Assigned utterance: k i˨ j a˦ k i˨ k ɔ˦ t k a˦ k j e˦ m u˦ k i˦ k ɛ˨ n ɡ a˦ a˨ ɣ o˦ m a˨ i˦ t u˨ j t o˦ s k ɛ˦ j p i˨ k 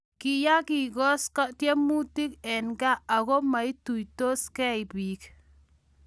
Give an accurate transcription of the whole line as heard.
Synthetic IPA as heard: k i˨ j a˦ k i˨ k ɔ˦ s k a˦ t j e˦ m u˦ t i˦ k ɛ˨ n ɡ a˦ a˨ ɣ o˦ m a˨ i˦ t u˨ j t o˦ s k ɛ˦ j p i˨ k